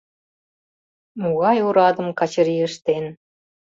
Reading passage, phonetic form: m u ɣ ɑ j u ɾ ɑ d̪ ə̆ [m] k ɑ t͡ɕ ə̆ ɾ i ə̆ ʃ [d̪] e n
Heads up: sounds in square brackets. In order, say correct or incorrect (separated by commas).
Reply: correct, incorrect